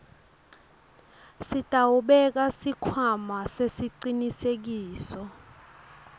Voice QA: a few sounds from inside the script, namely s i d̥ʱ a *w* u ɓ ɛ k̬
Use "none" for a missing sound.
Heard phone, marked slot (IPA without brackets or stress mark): w